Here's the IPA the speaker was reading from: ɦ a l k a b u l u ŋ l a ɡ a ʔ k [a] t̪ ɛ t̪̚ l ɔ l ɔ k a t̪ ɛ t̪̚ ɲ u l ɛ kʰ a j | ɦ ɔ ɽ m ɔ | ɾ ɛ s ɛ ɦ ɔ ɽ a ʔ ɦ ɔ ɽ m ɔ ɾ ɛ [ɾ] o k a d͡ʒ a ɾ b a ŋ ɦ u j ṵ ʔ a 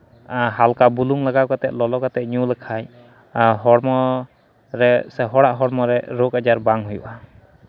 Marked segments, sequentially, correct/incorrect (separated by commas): correct, correct